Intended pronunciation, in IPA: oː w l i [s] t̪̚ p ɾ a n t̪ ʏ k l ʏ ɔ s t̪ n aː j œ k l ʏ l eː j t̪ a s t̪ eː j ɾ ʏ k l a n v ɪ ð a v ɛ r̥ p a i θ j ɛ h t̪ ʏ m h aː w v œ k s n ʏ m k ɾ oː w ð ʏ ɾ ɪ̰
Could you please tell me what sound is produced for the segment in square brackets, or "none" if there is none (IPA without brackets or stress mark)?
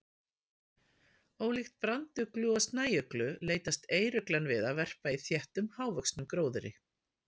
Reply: x